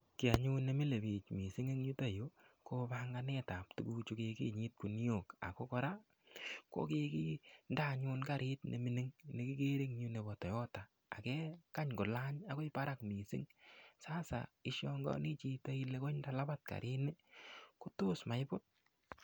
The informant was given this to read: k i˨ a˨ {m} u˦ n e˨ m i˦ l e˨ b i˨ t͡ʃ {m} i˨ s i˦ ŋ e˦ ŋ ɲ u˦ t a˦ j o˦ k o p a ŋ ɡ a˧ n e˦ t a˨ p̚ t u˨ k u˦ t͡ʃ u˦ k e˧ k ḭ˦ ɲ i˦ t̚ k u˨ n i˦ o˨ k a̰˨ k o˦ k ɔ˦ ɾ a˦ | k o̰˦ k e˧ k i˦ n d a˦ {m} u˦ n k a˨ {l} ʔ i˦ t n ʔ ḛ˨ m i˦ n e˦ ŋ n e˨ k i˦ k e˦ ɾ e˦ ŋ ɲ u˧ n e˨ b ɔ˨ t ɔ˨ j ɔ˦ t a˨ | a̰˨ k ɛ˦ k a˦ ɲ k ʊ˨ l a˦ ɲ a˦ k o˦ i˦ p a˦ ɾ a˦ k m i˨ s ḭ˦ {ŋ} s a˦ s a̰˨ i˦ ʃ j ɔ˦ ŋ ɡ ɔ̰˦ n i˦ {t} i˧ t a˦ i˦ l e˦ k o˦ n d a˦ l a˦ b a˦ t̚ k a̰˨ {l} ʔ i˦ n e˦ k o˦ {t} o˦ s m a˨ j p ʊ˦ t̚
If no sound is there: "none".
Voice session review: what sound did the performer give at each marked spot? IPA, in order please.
ɲ, m, ɲ, ɾ, ŋ, t͡ʃ, ɾ, t

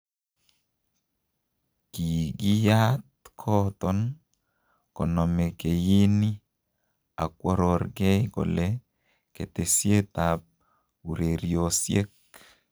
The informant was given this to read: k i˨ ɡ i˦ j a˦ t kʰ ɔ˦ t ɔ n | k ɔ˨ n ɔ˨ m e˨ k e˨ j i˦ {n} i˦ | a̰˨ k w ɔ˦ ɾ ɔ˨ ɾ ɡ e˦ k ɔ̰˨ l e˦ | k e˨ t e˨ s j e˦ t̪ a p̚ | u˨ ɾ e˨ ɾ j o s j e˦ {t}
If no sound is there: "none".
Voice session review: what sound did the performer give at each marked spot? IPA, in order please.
n, k

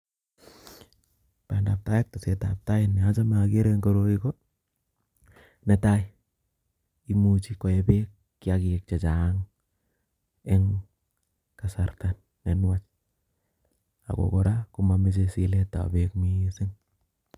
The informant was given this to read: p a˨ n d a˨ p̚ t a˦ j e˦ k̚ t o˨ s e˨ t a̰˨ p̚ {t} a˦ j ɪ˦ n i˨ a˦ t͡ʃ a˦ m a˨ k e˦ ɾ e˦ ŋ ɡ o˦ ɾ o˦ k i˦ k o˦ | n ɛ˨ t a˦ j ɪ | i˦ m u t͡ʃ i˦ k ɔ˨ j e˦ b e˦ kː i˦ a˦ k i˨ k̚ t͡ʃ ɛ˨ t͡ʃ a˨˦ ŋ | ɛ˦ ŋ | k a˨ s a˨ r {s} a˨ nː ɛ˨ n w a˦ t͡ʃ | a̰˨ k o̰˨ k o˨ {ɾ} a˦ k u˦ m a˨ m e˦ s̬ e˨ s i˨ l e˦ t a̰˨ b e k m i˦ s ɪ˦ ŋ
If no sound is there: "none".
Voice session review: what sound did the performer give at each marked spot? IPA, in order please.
t, t, ɾ

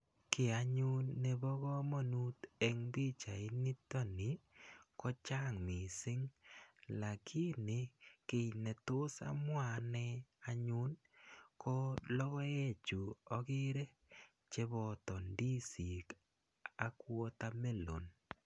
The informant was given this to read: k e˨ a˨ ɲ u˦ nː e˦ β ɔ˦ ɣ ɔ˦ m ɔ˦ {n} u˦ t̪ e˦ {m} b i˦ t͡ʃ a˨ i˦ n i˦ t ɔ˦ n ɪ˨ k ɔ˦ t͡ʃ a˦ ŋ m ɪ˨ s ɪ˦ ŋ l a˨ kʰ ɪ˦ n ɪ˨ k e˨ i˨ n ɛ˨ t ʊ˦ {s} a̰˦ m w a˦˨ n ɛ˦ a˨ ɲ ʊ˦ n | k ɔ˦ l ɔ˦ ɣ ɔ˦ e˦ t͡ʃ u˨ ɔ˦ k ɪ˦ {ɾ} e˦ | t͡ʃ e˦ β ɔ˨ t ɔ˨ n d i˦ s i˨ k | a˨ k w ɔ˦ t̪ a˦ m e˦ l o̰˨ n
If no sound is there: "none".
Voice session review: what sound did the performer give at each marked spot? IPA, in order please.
n, ŋ, s, ɾ

